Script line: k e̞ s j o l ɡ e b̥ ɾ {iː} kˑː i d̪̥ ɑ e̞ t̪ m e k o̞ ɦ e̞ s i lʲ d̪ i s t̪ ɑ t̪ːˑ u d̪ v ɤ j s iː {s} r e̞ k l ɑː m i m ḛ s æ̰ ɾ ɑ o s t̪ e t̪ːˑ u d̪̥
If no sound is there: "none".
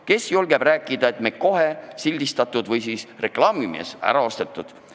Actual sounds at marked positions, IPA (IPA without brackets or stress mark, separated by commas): æː, s